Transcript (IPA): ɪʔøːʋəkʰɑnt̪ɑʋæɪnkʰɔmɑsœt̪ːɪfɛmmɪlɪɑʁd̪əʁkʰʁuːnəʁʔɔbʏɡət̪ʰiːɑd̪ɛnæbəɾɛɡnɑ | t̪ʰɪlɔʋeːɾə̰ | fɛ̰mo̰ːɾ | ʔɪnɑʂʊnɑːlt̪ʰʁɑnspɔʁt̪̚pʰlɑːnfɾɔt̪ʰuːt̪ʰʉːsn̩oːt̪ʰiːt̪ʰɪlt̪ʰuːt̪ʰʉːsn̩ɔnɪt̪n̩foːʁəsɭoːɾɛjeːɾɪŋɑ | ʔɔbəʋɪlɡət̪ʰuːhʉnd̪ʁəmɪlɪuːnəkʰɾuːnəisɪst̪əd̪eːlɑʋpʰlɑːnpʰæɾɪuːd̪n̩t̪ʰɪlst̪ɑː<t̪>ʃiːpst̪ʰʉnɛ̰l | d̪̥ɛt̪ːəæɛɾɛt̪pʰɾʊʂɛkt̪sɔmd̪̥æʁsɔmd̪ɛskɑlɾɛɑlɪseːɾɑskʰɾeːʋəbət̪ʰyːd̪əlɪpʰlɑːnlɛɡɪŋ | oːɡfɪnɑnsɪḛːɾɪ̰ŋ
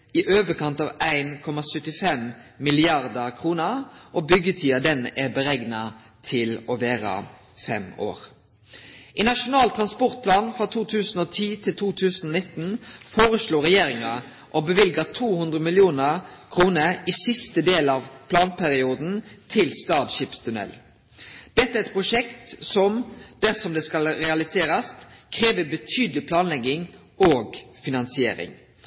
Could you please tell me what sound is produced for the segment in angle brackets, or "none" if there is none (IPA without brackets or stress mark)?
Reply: d̪